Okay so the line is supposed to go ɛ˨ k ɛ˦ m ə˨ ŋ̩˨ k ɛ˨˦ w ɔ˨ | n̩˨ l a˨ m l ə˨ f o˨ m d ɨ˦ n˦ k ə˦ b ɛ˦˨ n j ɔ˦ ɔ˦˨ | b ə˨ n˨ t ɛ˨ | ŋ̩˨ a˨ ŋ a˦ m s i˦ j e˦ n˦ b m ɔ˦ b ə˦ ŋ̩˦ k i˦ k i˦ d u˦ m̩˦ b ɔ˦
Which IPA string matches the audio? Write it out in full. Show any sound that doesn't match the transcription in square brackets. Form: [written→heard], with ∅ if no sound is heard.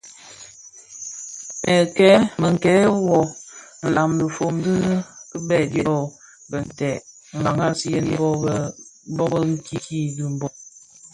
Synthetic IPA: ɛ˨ k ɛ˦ m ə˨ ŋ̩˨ k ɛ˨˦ w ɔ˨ | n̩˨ l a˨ m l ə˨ f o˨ m d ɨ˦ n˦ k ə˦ b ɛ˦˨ [n→d] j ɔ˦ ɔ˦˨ | b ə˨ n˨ t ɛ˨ | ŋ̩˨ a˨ ŋ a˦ [m→∅] s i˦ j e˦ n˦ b [m→b] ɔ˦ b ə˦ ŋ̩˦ k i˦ k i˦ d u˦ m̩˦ b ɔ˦